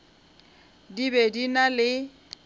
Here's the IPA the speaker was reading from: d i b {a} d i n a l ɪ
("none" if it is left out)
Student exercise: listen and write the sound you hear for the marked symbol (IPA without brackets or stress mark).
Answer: e